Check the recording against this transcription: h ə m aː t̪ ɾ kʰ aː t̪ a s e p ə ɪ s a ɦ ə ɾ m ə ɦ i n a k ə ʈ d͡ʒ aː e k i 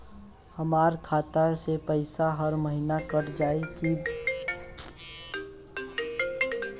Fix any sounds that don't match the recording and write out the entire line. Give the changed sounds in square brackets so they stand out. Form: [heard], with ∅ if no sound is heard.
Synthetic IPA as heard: h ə m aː [∅] ɾ kʰ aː t̪ a s e p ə ɪ s a ɦ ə ɾ m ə ɦ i n a k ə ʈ d͡ʒ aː e k i

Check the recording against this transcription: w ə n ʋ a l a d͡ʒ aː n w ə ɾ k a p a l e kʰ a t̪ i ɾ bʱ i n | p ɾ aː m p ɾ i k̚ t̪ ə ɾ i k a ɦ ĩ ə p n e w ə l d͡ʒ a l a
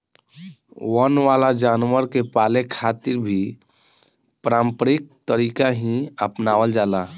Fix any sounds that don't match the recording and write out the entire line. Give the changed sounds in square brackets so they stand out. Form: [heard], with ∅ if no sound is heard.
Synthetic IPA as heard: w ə n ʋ a l a d͡ʒ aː n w ə ɾ k [e] p a l e kʰ a t̪ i ɾ bʱ i [∅] | p ɾ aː m p ɾ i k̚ t̪ ə ɾ i k a ɦ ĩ ə p n [a] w ə l d͡ʒ a l a

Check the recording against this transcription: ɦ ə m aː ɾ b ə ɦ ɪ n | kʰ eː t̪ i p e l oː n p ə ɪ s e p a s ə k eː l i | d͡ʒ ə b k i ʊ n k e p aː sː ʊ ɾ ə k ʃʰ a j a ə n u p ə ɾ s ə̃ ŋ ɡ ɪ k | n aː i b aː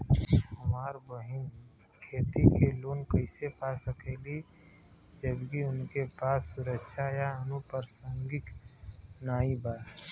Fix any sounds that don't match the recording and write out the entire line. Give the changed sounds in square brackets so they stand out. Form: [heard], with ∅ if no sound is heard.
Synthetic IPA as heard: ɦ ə m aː ɾ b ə ɦ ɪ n | kʰ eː t̪ i [k] e l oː n [k] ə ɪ s e p a s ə k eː l i | d͡ʒ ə b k i ʊ n k e p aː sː ʊ ɾ ə k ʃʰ a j a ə n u p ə ɾ s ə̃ ŋ ɡ ɪ k | n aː i b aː

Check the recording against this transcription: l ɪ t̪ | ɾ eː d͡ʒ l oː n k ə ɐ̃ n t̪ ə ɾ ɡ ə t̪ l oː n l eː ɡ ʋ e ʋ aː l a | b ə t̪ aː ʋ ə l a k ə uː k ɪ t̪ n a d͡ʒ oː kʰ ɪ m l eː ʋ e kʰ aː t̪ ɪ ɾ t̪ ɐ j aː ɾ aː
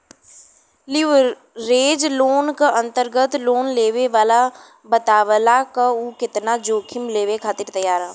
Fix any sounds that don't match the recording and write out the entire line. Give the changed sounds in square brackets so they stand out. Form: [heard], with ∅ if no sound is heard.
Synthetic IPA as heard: l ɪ [∅] | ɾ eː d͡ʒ l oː n k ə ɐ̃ n t̪ ə ɾ ɡ ə t̪ l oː n l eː [∅] ʋ e ʋ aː l a | b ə t̪ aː ʋ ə l a k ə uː k ɪ t̪ n a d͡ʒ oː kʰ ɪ m l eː ʋ e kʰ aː t̪ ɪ ɾ t̪ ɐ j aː ɾ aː

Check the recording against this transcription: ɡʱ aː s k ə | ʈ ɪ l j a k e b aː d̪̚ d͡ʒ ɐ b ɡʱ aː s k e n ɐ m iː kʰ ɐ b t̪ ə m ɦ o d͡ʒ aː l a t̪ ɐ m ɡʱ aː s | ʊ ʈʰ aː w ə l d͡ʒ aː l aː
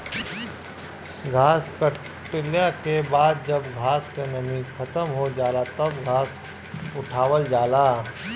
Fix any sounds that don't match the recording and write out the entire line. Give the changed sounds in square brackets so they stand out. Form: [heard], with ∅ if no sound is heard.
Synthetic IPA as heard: ɡʱ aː s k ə | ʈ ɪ l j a k e b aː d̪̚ d͡ʒ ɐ b ɡʱ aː s k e n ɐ m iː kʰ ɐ [∅] t̪ ə m ɦ o d͡ʒ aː l a t̪ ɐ [b] ɡʱ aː s | ʊ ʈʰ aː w ə l d͡ʒ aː l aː

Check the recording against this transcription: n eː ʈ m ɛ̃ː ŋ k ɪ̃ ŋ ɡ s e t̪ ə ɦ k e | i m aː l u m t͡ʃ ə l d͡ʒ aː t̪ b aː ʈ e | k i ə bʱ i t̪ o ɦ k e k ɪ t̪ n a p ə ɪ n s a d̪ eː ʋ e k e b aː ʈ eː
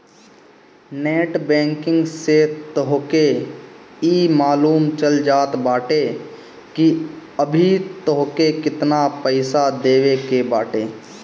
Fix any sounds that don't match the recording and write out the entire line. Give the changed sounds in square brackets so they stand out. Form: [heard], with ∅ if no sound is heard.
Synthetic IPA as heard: n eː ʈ [b] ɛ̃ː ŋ k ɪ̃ ŋ ɡ s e t̪ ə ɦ k e | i m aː l [uː] m t͡ʃ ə l d͡ʒ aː t̪ b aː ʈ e | k i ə bʱ i t̪ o ɦ k e k ɪ t̪ n a p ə ɪ [∅] s a d̪ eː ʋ e k e b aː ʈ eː

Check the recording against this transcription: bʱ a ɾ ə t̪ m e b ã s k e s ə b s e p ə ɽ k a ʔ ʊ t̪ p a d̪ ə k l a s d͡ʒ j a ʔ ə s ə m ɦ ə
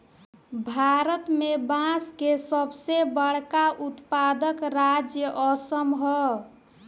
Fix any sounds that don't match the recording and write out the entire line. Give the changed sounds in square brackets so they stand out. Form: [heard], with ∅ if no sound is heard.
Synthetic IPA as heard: bʱ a ɾ ə t̪ m e b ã s k e s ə b s e [b] ə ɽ k a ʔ [u] t̪ p a d̪ ə k [ɾ] a [∅] d͡ʒ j [ə] ʔ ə s ə m ɦ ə

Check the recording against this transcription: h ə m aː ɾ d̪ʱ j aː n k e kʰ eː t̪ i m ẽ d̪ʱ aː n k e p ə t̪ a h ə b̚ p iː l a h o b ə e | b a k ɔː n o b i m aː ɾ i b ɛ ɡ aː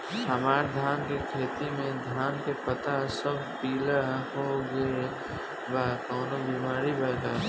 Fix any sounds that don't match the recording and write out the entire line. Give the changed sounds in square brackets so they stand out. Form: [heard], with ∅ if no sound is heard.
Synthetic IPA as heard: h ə m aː ɾ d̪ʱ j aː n k e kʰ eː t̪ i m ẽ d̪ʱ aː n k e p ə t̪ a [s] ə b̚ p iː l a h o [ɡ] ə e | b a k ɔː n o b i m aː ɾ i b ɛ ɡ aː

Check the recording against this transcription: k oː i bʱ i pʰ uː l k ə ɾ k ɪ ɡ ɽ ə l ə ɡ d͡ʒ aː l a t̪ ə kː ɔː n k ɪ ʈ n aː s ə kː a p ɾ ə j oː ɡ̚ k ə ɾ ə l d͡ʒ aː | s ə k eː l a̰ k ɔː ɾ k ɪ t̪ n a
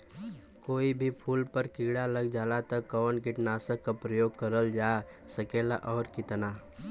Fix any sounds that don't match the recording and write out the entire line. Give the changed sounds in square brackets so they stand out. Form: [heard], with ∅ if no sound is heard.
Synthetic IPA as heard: k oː i bʱ i pʰ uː l [p] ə ɾ k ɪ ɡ ɽ [a] l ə ɡ d͡ʒ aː l a t̪ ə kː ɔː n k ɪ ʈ n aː s ə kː a p ɾ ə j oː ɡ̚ k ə ɾ ə l d͡ʒ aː | s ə k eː l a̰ [ʔ] ɔː ɾ k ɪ t̪ n a

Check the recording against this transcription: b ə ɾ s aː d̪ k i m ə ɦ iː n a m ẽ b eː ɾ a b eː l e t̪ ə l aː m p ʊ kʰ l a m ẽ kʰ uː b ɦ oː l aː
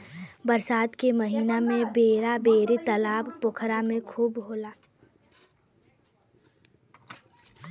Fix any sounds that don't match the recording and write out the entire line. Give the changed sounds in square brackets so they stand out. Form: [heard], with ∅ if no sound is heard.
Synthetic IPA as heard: b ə ɾ s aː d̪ k [e] m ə ɦ iː n a m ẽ b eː ɾ a b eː [ɾ] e t̪ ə l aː [b] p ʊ kʰ [ɾ] a m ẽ kʰ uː b ɦ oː l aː

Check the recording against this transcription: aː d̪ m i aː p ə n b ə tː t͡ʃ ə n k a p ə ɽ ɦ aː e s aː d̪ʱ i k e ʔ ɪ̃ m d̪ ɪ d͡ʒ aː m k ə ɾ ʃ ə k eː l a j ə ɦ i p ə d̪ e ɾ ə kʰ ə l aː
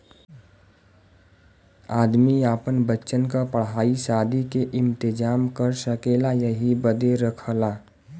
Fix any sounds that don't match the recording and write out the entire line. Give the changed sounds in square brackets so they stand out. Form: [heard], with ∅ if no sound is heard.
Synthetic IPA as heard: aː d̪ m i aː p ə n b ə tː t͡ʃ ə n k a p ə ɽ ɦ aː [i] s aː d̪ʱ i k e ʔ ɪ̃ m [t̪] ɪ d͡ʒ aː m k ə ɾ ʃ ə k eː l a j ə ɦ i [b] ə d̪ e ɾ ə kʰ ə l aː

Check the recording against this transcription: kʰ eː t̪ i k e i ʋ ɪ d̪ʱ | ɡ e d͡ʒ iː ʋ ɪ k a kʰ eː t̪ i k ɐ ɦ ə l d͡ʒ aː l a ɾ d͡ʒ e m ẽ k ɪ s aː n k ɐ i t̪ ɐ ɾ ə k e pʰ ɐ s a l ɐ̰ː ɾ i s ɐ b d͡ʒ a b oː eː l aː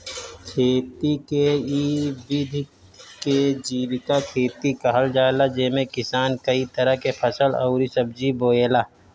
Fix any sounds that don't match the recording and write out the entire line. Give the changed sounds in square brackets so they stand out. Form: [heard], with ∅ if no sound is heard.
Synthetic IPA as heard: kʰ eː t̪ i k e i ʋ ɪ d̪ʱ | [k] e d͡ʒ iː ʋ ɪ k a kʰ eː t̪ i k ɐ ɦ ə l d͡ʒ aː l a [∅] d͡ʒ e m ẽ k ɪ s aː n k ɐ i t̪ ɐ ɾ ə k e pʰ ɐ s [ə] l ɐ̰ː ɾ i s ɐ b d͡ʒ [i] b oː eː l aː

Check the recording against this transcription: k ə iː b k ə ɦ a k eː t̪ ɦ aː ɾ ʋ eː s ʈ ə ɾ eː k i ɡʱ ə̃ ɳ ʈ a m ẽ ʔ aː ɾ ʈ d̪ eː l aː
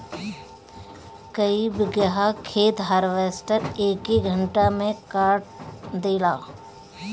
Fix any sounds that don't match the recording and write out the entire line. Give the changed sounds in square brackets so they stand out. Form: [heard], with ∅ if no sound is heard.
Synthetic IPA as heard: k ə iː b [ɡ] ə ɦ a [kʰ] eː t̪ ɦ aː ɾ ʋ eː s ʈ ə ɾ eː k i ɡʱ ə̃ ɳ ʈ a m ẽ [k] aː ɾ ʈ d̪ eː l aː

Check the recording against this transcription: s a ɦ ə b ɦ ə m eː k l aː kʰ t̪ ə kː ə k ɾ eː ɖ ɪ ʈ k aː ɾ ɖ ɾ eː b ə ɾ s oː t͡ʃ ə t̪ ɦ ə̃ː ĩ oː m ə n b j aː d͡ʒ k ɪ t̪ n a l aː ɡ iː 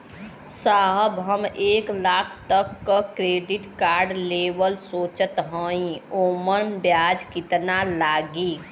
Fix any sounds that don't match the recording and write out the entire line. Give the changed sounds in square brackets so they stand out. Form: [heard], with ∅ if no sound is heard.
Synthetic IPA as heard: s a ɦ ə b ɦ ə m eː k l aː kʰ t̪ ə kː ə k ɾ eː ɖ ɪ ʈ k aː ɾ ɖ [l] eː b ə [l] s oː t͡ʃ ə t̪ ɦ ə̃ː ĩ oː m ə n b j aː d͡ʒ k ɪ t̪ n a l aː ɡ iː

